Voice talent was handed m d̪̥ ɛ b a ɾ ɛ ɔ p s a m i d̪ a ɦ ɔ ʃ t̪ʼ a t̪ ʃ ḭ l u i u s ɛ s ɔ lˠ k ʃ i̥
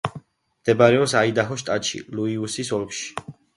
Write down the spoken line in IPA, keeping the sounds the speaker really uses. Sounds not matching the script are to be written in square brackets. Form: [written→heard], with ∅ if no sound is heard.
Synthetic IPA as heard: m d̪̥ ɛ b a ɾ ɛ ɔ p s a [m→∅] i d̪ a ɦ ɔ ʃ t̪ʼ a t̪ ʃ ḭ l u i u s [ɛ→i] s ɔ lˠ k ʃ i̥